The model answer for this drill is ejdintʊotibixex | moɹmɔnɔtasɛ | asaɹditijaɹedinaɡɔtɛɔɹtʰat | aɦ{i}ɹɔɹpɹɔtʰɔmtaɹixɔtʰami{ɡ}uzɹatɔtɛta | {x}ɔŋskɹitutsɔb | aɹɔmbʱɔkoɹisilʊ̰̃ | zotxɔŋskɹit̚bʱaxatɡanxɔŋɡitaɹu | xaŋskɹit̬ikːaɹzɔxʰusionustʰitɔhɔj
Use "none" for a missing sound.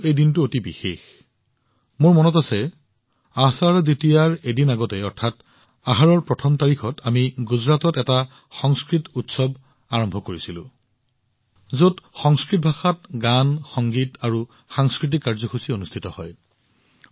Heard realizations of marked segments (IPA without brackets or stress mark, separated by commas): a, ɡ, x